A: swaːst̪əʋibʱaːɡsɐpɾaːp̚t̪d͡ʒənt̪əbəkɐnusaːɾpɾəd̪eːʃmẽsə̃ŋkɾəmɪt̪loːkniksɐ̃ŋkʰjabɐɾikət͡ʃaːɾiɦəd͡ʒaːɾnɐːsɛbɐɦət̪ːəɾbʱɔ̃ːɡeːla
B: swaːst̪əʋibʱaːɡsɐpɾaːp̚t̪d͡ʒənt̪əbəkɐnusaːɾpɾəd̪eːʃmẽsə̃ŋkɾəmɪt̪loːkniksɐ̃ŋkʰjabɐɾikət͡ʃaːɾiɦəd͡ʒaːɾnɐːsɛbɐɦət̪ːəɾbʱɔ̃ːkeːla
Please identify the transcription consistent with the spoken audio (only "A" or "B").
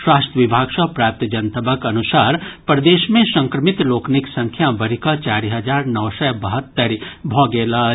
A